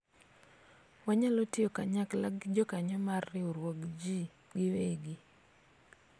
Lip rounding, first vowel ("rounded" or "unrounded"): unrounded